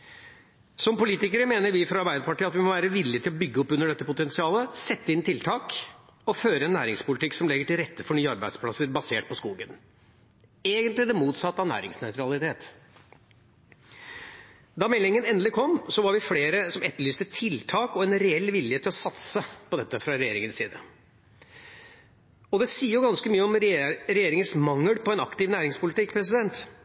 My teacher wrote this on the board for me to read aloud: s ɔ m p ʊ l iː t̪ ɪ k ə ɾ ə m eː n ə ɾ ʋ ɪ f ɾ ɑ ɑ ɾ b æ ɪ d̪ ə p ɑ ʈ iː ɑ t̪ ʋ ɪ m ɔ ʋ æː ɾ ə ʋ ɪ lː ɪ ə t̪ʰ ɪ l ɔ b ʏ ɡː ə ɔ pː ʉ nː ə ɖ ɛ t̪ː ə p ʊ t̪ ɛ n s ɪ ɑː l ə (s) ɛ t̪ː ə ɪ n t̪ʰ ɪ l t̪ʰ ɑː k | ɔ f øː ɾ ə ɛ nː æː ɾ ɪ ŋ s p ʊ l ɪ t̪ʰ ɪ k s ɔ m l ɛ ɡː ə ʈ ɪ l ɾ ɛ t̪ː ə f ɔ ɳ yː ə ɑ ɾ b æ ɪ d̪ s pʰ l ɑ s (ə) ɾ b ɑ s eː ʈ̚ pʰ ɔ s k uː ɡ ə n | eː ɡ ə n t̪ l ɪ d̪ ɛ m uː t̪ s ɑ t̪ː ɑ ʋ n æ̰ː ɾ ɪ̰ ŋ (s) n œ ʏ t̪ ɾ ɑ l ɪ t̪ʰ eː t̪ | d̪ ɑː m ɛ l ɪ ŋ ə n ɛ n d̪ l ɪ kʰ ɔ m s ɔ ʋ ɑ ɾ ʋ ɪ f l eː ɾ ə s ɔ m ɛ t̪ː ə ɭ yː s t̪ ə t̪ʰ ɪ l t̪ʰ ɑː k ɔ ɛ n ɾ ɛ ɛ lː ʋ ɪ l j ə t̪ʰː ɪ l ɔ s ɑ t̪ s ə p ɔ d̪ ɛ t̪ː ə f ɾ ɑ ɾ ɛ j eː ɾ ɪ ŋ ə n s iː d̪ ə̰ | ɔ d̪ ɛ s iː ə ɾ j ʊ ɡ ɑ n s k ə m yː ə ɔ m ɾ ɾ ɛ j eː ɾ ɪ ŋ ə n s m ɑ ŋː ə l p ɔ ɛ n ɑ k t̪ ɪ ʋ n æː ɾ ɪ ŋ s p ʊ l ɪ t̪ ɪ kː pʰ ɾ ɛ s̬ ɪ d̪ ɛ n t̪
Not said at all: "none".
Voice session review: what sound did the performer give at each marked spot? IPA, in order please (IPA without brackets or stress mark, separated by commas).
s, ə, s